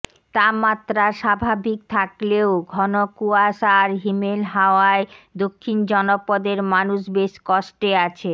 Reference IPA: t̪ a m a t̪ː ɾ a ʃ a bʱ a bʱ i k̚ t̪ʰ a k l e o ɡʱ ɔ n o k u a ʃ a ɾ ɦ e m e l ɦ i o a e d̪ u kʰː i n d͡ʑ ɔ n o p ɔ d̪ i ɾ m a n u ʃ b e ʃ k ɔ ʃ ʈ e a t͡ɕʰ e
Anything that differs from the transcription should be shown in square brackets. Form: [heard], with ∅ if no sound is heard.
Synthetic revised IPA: t̪ a m a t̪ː ɾ a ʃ a bʱ a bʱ i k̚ t̪ʰ a k l e o ɡʱ ɔ n o k u a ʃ a ɾ ɦ [i] m e l ɦ [a] o a e d̪ [o] kʰː i n d͡ʑ ɔ n o p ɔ d̪ [e] ɾ m a n u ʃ b e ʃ k ɔ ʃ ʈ e a t͡ɕʰ e